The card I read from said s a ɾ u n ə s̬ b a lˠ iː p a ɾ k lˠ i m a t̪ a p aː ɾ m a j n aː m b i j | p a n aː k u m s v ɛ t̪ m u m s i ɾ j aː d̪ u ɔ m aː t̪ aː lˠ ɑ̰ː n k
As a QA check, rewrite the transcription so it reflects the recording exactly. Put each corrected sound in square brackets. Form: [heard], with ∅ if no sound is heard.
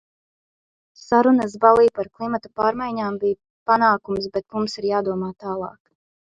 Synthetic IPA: s a ɾ u n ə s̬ b a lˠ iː p a ɾ k lˠ i m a t̪ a p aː ɾ m a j [ɲ] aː m b i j | p a n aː k u m s [b] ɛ t̪ m u m s i ɾ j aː d̪ u ɔ m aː t̪ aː lˠ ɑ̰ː [∅] k